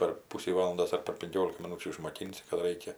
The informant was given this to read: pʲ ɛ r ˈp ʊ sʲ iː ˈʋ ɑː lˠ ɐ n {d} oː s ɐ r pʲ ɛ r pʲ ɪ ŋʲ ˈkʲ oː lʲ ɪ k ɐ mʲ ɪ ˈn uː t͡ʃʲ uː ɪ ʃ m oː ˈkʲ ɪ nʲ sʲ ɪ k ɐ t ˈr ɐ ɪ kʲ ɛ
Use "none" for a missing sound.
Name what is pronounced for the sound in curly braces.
d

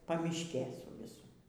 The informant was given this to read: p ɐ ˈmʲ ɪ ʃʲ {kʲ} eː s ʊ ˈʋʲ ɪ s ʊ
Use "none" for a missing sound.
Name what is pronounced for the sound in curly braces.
kʲ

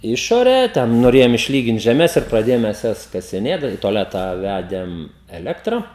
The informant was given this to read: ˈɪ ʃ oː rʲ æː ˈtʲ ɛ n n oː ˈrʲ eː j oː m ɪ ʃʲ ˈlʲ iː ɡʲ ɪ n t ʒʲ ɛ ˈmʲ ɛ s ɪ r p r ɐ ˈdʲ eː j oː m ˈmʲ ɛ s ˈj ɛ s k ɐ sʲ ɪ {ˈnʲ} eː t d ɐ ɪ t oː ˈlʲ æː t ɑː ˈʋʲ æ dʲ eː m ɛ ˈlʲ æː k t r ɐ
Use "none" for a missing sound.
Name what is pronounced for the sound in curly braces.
nʲ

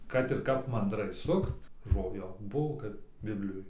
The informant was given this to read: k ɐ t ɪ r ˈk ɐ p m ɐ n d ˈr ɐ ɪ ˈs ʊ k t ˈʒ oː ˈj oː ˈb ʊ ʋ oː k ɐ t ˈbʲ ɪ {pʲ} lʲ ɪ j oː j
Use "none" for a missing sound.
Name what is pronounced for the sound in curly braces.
bʲ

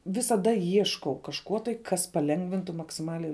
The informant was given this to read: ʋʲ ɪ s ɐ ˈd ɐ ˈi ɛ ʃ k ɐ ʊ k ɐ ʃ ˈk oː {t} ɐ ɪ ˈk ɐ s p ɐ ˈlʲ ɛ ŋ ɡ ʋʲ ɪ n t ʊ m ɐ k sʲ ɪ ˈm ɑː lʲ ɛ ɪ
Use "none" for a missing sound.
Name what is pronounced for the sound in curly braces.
t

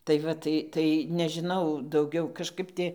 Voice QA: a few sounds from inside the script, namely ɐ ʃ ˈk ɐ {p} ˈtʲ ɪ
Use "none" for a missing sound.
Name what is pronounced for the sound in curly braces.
p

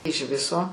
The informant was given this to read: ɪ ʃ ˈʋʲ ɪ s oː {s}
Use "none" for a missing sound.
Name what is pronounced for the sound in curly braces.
none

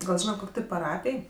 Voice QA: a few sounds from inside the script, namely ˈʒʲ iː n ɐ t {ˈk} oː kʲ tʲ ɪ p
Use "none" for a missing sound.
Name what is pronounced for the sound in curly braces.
k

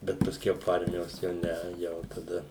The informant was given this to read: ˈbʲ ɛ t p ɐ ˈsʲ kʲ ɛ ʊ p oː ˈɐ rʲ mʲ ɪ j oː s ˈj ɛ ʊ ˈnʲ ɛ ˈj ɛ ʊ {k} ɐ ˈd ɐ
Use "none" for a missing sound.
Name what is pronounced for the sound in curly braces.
t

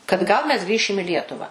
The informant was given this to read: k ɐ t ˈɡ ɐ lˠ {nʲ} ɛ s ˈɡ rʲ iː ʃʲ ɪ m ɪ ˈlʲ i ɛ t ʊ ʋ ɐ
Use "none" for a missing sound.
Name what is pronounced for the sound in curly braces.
mʲ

